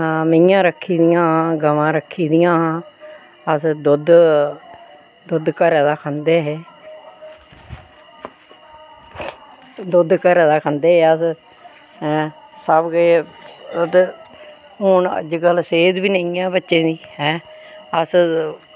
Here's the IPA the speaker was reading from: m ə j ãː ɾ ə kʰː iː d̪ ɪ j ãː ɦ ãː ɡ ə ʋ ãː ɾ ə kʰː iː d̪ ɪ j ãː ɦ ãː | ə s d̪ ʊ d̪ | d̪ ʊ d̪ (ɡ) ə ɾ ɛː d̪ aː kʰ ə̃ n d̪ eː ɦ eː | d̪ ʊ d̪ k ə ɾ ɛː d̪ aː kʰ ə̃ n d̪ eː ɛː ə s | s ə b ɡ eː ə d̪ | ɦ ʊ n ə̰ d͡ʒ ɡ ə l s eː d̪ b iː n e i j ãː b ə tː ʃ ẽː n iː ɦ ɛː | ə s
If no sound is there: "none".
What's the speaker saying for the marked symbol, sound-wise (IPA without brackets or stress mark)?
k